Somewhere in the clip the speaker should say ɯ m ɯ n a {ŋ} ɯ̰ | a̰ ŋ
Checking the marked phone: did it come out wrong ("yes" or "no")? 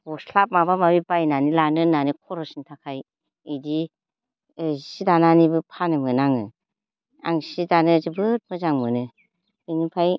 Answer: no